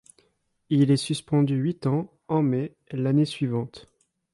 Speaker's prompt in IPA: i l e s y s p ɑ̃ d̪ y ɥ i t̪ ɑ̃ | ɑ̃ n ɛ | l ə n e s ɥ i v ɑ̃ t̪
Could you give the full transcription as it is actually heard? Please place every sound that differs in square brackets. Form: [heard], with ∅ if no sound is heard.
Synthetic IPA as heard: i l [ɛ] s y s p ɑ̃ d̪ y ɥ i t̪ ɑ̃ | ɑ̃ [m] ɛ | l [a] n e s ɥ i v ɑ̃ t̪